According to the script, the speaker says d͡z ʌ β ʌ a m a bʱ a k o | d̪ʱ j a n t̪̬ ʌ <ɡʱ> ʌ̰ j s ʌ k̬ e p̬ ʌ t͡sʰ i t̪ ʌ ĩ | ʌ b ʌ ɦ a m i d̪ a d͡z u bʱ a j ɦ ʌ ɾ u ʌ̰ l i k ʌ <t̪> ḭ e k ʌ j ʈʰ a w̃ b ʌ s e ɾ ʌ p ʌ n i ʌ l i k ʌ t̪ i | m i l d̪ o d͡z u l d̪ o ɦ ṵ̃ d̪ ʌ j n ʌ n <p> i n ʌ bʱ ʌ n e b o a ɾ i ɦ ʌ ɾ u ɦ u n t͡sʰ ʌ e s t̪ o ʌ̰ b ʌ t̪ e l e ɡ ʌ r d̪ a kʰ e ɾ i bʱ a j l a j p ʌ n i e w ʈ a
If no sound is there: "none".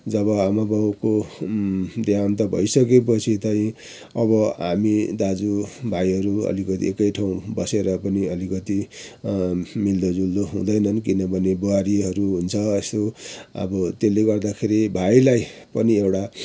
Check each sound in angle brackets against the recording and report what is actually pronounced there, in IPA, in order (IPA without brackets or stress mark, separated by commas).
bʱ, t̪, k